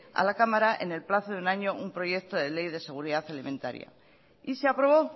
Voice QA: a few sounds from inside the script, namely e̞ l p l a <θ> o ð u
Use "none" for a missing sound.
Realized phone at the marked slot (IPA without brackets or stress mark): θ